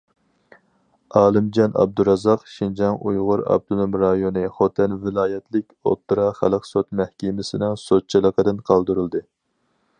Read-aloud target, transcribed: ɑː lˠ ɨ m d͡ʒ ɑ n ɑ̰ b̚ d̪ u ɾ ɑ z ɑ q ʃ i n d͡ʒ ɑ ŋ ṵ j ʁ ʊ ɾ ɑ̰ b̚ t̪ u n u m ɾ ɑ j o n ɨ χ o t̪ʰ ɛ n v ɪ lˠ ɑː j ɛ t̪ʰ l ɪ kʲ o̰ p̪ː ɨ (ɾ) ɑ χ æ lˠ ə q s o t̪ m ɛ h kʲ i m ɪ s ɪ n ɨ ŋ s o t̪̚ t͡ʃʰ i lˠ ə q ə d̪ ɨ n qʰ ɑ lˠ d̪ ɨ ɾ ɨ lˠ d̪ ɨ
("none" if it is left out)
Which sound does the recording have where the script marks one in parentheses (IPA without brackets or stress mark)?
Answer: ɾ